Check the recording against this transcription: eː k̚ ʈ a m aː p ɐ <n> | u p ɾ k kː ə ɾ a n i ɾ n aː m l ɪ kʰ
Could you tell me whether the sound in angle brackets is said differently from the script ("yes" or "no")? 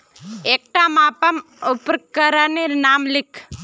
yes